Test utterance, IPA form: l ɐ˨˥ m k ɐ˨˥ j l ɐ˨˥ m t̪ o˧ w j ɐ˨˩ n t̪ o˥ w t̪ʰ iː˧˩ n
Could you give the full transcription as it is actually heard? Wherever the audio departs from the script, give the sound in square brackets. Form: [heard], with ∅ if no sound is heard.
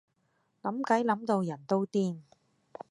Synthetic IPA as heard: l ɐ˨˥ m k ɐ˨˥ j l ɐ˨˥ m t̪ o˧ w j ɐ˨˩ n t̪ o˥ w [t̪] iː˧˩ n